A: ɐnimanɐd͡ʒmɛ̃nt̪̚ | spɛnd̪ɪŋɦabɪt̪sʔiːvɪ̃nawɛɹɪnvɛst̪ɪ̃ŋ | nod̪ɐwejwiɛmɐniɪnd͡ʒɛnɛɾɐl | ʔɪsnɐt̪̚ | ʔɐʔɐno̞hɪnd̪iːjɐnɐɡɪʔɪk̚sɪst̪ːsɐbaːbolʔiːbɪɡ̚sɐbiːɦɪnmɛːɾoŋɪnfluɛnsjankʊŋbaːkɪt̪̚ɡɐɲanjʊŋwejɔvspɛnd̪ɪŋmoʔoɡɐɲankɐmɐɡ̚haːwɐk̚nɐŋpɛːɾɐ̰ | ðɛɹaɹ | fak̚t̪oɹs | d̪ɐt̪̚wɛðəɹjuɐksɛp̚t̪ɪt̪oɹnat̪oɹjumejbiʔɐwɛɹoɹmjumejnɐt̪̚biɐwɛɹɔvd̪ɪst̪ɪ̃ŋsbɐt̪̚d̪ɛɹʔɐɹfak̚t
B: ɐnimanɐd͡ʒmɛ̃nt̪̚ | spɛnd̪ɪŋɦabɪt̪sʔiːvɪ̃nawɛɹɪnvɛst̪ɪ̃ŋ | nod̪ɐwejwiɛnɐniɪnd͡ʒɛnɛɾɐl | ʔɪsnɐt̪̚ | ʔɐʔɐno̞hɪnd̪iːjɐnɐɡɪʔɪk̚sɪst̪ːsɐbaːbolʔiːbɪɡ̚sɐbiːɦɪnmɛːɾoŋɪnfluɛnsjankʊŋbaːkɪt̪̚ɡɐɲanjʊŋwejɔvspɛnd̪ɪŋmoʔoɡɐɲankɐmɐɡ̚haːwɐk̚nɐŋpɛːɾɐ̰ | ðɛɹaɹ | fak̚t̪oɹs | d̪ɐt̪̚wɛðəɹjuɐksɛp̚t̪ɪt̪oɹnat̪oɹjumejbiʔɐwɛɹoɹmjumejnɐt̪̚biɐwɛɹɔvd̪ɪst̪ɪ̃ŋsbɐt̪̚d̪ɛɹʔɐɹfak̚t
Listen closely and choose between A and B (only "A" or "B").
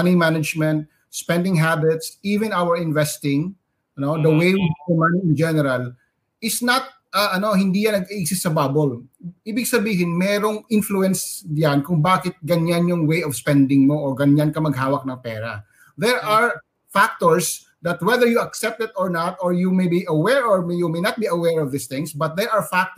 A